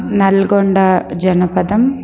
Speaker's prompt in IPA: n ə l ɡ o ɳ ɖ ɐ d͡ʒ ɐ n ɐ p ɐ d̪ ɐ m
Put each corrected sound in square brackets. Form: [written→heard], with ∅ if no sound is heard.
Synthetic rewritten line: n [ə→ɐ] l ɡ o ɳ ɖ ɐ d͡ʒ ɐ n ɐ p ɐ d̪ ɐ m